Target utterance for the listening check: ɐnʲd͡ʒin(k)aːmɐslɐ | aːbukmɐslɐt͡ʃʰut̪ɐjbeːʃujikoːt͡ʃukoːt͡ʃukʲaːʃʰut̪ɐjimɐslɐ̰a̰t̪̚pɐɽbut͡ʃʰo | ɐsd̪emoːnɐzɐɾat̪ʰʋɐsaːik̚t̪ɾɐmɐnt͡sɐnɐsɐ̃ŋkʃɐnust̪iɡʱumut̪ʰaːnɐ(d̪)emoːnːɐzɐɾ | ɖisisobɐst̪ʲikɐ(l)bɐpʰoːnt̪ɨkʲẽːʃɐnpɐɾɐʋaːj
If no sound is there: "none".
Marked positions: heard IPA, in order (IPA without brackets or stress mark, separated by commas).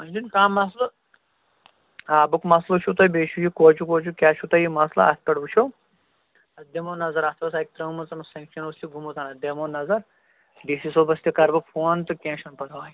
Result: k, d̪, ɾ